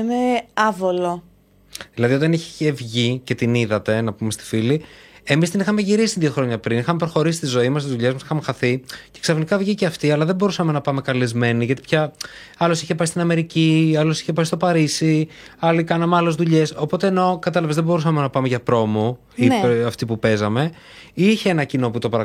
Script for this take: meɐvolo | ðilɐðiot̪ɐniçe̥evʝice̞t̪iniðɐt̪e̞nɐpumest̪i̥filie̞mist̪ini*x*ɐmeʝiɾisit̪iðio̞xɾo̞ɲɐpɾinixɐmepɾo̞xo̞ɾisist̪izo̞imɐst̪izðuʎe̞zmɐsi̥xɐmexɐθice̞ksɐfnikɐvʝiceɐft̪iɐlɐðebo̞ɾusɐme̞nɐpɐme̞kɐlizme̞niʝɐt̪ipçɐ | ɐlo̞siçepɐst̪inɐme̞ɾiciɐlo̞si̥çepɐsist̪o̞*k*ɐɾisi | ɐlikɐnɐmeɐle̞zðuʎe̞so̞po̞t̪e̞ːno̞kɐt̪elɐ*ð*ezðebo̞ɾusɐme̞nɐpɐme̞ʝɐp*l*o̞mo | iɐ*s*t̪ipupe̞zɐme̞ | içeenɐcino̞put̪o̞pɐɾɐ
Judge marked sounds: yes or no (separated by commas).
yes, no, no, no, no